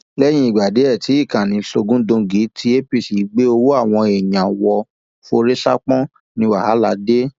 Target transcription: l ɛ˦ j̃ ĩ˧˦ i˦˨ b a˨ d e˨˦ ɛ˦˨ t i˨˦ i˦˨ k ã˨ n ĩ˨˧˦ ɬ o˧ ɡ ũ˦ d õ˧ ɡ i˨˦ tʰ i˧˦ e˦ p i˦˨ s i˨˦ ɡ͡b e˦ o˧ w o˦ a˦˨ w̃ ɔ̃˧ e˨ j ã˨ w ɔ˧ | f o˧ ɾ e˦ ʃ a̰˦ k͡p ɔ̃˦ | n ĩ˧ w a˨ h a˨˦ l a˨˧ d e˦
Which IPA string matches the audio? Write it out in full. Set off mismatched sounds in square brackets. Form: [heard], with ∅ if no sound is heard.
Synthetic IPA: l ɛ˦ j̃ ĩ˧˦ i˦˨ [ɡ͡b] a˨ d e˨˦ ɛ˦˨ t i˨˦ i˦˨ k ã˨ n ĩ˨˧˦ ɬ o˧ ɡ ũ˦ d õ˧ ɡ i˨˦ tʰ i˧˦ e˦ p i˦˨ s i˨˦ ɡ͡b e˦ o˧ w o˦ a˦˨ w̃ ɔ̃˧ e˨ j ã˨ w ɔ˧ | f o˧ ɾ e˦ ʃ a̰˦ k͡p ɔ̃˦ | n ĩ˧ w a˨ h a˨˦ l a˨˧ d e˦